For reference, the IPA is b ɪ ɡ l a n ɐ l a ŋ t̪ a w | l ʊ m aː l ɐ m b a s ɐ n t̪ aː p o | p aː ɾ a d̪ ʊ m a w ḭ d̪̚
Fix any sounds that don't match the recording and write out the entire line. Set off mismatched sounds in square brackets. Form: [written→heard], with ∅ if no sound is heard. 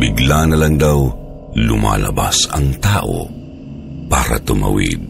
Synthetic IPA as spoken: b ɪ ɡ l a n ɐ l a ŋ [t̪→d̪] a w | l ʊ m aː l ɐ [m→∅] b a s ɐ [n→ŋ] t̪ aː [p→ʔ] o | p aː ɾ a [d̪→t̪] ʊ m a w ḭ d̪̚